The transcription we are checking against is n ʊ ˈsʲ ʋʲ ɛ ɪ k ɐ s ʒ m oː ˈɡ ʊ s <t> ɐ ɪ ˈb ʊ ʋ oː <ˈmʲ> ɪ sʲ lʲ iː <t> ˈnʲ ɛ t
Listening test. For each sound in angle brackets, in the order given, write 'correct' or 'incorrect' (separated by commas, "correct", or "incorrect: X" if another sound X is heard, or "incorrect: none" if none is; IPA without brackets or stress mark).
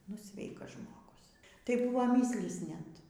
correct, correct, incorrect: s